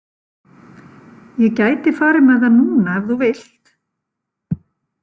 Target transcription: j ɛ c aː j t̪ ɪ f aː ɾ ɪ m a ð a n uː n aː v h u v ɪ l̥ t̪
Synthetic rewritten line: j ɛ c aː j t̪ ɪ f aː ɾ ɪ m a ð a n uː n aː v θ u v ɪ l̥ t̪